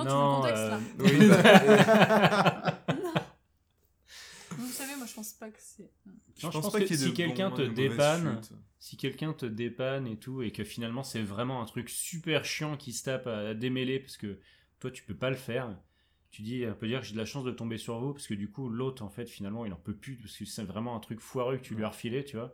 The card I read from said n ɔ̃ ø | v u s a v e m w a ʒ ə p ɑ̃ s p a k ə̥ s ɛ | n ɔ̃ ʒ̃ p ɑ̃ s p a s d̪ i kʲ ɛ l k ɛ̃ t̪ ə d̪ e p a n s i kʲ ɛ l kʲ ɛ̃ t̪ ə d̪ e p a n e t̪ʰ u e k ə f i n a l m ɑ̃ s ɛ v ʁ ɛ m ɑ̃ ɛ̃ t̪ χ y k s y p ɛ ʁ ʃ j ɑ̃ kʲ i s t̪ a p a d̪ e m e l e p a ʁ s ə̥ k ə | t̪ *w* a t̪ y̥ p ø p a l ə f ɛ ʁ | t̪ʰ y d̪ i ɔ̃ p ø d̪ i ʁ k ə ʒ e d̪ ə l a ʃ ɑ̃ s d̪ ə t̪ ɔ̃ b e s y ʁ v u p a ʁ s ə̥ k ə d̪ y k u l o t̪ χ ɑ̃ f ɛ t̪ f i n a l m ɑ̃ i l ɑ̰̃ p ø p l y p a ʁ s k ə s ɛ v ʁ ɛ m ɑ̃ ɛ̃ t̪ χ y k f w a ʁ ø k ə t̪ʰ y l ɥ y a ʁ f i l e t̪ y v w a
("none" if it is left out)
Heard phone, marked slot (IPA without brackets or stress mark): w